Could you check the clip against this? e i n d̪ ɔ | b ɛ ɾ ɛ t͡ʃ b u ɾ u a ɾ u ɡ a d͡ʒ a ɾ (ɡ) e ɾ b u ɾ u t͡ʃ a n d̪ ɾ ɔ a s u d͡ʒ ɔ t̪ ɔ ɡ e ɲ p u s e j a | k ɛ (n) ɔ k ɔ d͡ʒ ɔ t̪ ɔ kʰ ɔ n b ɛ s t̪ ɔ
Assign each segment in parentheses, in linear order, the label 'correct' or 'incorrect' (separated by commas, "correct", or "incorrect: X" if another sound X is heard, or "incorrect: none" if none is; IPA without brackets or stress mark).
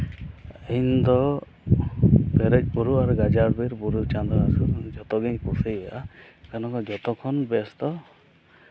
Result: incorrect: b, correct